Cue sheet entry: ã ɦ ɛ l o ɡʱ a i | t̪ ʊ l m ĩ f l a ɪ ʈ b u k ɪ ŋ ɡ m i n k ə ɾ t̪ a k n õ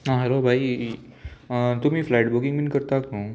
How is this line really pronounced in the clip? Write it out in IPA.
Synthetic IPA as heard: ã ɦ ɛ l o bʱ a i | t̪ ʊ m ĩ f l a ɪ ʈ b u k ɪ ŋ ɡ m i n k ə ɾ t̪ a k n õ

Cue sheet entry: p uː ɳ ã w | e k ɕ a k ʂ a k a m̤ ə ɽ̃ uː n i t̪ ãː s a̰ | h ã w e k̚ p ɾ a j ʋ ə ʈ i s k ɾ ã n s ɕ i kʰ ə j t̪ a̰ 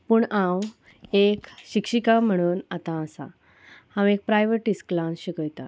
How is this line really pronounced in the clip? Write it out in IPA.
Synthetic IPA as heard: p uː ɳ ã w | e k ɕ i k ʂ i k a m̤ ə ɽ̃ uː n a t̪ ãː s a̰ | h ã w e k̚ p ɾ a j ʋ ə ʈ i s k l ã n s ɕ i k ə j t̪ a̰

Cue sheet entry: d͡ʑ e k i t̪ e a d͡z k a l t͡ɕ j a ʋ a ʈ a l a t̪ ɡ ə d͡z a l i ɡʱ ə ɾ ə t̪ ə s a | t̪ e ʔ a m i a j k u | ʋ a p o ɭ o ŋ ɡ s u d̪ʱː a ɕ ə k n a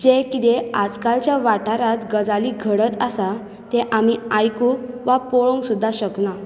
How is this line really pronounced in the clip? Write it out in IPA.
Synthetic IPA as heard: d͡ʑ e k i t̪ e a d͡z k a l t͡ɕ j a ʋ a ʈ a ɾ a t̪ ɡ ə d͡z a l i ɡʱ ə ɽ ə t̪ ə s a | t̪ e ʔ a m i a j k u | ʋ a p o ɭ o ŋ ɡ s u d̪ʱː a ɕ ə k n a

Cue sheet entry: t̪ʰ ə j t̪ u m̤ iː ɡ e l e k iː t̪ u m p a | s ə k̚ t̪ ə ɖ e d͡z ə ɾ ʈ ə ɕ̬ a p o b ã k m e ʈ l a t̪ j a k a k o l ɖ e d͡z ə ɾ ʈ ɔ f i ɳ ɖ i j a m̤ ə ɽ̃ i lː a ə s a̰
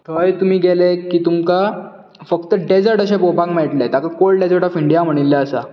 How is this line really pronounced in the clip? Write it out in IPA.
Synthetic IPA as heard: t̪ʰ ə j t̪ u m̤ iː ɡ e l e k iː t̪ u m k a | f ə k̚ t̪ ə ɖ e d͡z ə ɾ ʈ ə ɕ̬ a p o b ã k m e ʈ l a t̪ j a k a k o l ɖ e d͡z ə ɾ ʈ ɔ f i ɳ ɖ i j a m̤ ə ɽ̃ i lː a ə s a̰

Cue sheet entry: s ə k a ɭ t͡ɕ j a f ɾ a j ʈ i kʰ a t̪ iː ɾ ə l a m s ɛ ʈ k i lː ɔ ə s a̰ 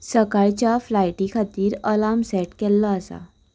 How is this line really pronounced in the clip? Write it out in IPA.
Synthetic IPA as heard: s ə k a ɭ t͡ɕ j a f l a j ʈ i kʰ a t̪ iː ɾ ə l a m s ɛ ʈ k ɛ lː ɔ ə s a̰

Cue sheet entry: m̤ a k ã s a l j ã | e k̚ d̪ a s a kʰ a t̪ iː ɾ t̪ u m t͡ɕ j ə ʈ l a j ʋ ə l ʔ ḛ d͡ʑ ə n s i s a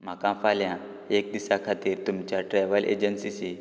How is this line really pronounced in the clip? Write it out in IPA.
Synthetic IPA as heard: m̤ a k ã f a l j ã | e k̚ d̪ i s a kʰ a t̪ iː ɾ t̪ u m t͡ɕ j a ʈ ɾ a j ʋ ə l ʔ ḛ d͡ʑ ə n s i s i

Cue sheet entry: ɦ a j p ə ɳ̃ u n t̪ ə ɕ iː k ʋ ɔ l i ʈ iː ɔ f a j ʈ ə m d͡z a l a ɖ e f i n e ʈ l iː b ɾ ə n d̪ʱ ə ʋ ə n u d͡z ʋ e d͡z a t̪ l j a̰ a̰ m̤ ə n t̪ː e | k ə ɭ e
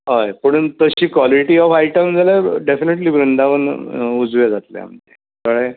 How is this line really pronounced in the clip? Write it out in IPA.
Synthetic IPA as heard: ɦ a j p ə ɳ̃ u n t̪ ə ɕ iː k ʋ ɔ l i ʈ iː ɔ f a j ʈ ə m d͡z a l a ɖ e f i n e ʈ l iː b ɾ ə n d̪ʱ a ʋ ə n u d͡z ʋ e d͡z a t̪ l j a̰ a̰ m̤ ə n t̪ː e | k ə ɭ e

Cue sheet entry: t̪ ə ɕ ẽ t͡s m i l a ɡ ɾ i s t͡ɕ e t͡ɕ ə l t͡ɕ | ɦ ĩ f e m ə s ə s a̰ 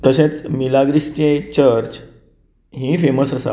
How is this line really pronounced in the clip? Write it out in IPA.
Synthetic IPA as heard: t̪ ə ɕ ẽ t͡s m i l a ɡ ɾ i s t͡ɕ e t͡ɕ ə ɾ t͡ɕ | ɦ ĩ f e m ə s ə s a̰

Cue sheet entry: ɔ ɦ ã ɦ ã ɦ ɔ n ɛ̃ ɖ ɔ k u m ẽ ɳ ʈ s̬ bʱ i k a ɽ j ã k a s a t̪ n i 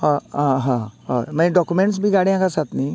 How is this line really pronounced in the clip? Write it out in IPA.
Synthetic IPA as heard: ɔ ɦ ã ɦ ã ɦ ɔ m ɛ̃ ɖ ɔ k u m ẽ ɳ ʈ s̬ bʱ i ɡ a ɽ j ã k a s a t̪ n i

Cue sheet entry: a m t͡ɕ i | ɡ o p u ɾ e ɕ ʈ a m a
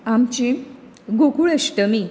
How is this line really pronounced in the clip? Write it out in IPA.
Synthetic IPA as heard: a m t͡ɕ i | ɡ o k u ɭ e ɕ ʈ ə m i

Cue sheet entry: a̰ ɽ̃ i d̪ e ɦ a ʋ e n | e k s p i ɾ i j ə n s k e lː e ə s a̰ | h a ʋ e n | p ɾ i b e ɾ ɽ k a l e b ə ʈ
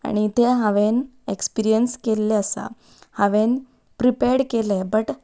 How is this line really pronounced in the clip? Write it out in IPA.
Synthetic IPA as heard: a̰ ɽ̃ i t̪ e ɦ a ʋ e n | e k s p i ɾ i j ə n s k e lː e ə s a̰ | h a ʋ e n | p ɾ i p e ɾ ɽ k e l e b ə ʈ

